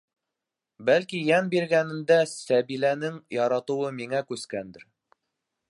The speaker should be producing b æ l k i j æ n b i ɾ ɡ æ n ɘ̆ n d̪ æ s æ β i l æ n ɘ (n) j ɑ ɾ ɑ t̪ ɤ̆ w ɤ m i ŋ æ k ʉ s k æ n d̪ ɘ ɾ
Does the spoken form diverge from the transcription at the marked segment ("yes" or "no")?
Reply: yes